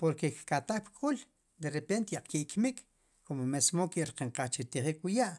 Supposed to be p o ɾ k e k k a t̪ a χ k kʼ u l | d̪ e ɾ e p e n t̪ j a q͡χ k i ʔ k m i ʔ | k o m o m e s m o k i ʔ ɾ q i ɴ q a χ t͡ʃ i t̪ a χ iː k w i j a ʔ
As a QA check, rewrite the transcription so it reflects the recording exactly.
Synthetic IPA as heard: p o ɾ k e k k a t̪ a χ p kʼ u l | d̪ e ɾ e p e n t̪ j a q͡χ k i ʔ k m i k | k o m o m e s m o k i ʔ ɾ q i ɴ q a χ t͡ʃ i t̪ i χ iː k w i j a ʔ